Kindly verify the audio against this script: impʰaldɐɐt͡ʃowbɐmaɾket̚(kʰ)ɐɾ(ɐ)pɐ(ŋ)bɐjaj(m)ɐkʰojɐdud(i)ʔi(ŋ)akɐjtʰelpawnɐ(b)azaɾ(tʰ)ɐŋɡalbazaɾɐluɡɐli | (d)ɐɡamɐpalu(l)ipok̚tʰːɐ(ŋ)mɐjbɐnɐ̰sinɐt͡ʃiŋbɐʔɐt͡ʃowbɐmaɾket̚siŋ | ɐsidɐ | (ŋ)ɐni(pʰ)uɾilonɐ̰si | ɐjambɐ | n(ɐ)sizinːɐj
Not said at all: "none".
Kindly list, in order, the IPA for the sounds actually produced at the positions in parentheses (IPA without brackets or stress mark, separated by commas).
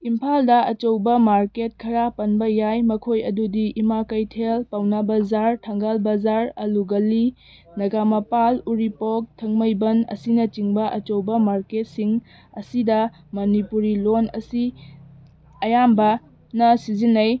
kʰ, a, n, m, i, m, b, tʰ, n, ɾ, ŋ, m, p, ɐ